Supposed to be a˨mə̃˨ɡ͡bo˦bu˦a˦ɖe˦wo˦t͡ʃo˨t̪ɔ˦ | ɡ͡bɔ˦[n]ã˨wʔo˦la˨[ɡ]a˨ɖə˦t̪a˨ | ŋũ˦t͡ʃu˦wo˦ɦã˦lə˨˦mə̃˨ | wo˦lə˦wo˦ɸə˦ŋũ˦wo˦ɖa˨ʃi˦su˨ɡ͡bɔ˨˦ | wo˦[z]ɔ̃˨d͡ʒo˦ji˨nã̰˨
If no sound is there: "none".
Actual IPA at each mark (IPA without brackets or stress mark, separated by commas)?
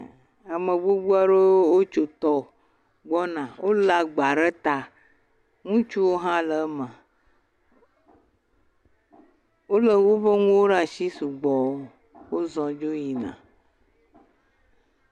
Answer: n, ɡ͡b, z